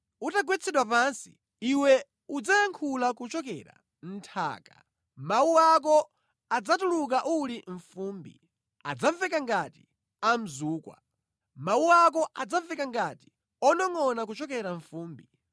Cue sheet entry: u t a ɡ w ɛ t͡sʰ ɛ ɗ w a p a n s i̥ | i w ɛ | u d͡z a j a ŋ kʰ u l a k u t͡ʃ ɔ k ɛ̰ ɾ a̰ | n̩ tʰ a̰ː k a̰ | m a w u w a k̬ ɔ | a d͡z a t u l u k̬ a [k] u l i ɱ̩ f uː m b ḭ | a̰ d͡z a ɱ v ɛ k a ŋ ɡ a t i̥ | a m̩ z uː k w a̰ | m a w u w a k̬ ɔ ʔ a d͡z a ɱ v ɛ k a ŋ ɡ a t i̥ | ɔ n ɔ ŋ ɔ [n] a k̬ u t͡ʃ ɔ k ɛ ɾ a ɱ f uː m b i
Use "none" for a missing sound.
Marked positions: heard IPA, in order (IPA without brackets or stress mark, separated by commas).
ʔ, n